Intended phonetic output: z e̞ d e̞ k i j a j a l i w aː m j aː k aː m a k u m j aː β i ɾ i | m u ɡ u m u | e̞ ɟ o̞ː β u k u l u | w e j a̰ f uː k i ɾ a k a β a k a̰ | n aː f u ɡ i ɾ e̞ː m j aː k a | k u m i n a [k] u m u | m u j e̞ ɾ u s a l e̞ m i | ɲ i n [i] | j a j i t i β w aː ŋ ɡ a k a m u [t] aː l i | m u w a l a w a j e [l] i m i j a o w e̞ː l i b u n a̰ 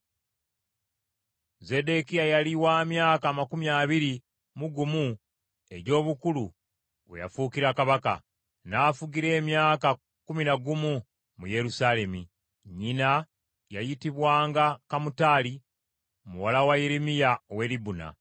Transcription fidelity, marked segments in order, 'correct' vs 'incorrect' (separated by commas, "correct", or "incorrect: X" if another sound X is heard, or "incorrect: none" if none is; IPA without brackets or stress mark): incorrect: ɡ, incorrect: a, correct, incorrect: ɾ